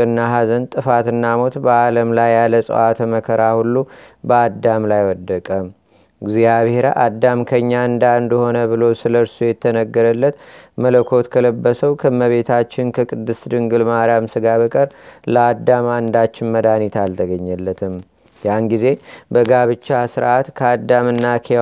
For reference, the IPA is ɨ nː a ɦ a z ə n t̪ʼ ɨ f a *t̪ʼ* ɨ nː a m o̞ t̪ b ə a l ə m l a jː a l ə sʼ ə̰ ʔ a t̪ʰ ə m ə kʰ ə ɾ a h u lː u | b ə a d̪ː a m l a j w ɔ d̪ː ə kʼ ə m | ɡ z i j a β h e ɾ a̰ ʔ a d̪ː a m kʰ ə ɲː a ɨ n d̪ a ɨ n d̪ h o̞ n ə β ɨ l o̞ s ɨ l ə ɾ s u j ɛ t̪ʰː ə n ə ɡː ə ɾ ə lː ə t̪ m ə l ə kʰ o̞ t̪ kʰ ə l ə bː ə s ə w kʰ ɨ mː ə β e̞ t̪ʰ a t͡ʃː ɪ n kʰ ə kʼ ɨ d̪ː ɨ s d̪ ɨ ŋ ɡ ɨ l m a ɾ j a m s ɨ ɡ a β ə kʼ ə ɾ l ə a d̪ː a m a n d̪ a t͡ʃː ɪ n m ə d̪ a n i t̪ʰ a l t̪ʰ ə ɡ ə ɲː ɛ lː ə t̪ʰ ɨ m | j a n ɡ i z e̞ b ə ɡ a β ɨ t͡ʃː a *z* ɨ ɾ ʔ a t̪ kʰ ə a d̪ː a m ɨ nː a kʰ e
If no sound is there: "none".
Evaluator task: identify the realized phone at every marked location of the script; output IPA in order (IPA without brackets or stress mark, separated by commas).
t̪, s